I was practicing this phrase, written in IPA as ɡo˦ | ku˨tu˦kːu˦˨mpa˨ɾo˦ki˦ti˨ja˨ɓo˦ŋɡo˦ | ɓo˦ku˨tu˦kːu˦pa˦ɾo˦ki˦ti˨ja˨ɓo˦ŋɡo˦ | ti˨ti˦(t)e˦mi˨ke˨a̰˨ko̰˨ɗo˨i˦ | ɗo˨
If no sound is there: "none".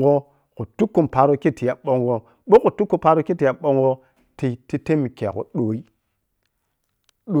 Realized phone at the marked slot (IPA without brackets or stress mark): t